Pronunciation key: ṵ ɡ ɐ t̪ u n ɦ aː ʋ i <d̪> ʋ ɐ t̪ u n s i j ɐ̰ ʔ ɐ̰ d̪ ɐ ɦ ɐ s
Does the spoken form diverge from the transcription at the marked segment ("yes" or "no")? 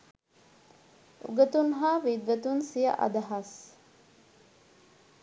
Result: no